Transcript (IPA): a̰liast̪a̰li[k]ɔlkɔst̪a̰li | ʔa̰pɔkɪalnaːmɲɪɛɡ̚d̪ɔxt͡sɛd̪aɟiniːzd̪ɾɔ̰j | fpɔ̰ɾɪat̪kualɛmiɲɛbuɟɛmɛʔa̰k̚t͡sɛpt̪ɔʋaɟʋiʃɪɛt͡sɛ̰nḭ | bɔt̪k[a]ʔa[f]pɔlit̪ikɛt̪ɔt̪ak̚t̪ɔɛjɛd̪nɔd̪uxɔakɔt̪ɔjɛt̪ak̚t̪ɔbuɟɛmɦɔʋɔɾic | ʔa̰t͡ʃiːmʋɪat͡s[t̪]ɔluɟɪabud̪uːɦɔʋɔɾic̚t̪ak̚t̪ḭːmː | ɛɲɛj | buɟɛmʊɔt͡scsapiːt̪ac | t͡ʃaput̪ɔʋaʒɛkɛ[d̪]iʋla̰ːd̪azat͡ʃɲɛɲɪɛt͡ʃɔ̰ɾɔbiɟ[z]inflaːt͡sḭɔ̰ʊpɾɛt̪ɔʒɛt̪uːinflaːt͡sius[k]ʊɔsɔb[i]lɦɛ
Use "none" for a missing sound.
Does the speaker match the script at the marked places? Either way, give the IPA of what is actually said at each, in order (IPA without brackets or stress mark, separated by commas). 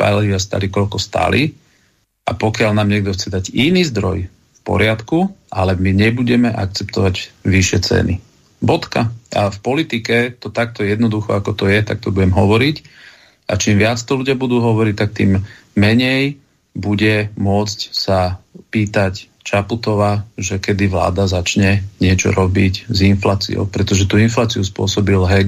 k, a, f, t̪, d̪, z, p, i